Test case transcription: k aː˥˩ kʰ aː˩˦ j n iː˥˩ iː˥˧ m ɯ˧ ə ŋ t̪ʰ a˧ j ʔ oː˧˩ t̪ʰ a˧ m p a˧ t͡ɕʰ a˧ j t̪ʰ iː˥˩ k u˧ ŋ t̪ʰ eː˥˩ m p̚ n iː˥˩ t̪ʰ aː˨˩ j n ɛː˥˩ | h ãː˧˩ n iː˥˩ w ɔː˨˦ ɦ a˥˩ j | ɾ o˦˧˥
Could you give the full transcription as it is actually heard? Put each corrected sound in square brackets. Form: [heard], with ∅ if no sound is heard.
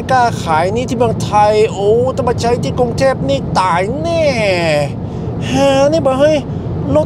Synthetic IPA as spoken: k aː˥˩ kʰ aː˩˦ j n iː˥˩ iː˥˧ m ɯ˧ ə ŋ t̪ʰ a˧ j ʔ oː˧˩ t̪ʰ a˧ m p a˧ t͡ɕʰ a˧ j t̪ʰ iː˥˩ k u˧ ŋ t̪ʰ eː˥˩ [∅] p̚ n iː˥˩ [t̪] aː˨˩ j n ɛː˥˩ | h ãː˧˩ n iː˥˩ [b] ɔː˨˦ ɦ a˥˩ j | [l] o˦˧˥